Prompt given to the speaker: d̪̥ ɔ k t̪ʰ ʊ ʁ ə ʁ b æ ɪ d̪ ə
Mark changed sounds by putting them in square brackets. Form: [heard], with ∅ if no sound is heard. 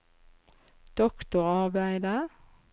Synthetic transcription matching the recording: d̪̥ ɔ k [t̪] ʊ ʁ [ɑ] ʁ b æ ɪ d̪ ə